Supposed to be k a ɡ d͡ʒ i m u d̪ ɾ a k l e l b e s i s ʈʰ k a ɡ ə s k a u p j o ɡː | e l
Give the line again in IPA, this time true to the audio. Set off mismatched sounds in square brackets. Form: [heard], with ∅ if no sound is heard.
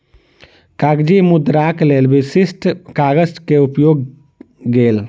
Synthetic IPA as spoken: k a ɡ d͡ʒ i m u d̪ ɾ a k l e l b [i] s i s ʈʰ k a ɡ ə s k [e] u p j o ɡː | e l